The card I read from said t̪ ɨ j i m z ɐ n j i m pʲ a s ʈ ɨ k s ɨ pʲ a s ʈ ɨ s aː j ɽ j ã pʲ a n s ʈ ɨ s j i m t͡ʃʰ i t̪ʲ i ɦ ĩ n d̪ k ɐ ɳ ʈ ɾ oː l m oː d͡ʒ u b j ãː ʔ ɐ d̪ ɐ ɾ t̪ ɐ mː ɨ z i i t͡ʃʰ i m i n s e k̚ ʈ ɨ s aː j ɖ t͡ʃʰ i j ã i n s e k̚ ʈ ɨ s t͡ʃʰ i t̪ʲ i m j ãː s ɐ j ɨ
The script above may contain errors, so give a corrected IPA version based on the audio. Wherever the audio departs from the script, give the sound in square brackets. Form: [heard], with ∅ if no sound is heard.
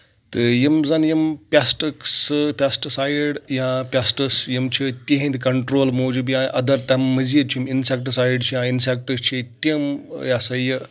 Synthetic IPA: t̪ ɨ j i m z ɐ n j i m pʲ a s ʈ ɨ k s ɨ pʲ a s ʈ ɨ s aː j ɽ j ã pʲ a [∅] s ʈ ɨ s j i m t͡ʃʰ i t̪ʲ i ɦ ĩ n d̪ k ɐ ɳ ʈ ɾ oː l m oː d͡ʒ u b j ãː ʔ ɐ d̪ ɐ ɾ t̪ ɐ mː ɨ z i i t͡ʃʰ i m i n s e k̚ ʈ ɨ s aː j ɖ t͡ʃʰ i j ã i n s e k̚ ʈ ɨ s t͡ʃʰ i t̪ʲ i m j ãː s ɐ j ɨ

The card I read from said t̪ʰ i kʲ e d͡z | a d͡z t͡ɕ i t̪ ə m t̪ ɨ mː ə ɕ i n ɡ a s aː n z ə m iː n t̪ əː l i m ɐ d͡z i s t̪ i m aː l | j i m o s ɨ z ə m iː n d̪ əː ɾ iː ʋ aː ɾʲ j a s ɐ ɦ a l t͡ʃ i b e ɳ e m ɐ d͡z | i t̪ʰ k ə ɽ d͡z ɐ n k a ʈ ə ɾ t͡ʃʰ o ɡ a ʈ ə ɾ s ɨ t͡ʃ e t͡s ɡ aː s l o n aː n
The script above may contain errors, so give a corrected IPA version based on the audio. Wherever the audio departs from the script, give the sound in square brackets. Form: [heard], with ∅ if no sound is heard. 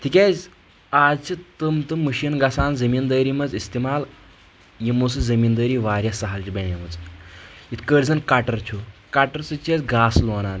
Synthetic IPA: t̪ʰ i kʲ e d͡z | a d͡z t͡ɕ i t̪ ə m t̪ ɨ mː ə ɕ i n ɡ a s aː n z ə m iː n [d̪] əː [ɾ] i m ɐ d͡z i s t̪ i m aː l | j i m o s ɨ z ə m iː n d̪ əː ɾ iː ʋ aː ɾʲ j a s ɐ ɦ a l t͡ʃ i b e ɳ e m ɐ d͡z | i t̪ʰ k ə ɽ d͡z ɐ n k a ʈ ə ɾ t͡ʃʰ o [k] a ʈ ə ɾ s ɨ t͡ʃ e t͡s ɡ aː s l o n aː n

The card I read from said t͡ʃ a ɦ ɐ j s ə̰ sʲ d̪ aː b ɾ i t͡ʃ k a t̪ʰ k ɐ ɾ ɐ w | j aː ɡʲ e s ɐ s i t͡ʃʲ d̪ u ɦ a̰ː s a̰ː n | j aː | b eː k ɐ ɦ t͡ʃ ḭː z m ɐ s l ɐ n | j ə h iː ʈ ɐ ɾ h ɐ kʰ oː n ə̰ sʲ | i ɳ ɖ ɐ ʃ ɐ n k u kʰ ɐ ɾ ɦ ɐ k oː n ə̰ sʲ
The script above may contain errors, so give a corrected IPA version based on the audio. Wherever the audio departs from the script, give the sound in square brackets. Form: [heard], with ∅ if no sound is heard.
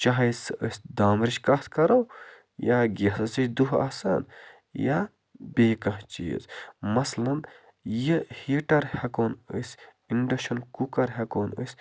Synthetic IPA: t͡ʃ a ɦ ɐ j s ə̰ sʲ d̪ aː [m] ɾ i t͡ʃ k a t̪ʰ k ɐ ɾ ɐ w | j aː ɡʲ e s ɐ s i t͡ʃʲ d̪ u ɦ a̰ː s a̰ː n | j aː | b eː k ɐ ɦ t͡ʃ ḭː z m ɐ s l ɐ n | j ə h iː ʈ ɐ ɾ h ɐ [k] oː n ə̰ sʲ | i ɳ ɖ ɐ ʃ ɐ n k u [k] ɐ ɾ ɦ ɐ k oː n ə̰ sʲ

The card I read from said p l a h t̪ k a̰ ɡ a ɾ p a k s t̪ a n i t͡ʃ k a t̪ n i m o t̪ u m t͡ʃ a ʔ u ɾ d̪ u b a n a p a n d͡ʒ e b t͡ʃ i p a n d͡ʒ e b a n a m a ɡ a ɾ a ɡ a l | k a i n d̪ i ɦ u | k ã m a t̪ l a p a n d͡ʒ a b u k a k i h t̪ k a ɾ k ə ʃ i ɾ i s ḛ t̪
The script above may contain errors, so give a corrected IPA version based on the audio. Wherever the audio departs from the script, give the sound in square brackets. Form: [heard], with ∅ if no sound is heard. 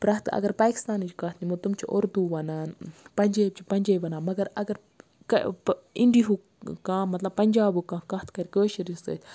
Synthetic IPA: p [ɾ] a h t̪ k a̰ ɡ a ɾ p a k s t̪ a n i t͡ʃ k a t̪ n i m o t̪ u m t͡ʃ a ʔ [o] ɾ d̪ u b a n a p a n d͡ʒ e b t͡ʃ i p a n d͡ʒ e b a n a m a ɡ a ɾ a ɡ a [ɾ] | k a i n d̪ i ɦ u | k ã m a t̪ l a p a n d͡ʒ a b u k a k [a] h t̪ k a ɾ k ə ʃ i ɾ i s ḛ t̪

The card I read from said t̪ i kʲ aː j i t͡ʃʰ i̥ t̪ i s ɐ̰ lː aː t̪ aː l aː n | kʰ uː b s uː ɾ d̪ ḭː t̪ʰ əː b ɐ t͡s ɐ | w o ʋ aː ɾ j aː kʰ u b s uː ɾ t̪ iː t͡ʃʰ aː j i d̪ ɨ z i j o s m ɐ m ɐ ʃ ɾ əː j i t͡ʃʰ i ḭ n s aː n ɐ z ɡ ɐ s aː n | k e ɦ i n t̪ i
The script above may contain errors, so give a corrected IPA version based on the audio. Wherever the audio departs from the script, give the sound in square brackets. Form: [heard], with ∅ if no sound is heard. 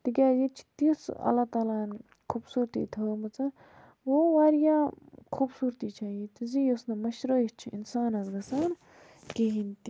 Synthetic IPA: t̪ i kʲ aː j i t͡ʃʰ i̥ t̪ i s ɐ̰ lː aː t̪ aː l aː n | kʰ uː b s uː ɾ [t̪] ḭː t̪ʰ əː [m] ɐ t͡s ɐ | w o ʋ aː ɾ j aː kʰ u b s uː ɾ t̪ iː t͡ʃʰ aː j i [t̪] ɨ z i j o s [n] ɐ m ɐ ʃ ɾ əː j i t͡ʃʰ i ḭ n s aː n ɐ z ɡ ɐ s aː n | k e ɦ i n t̪ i

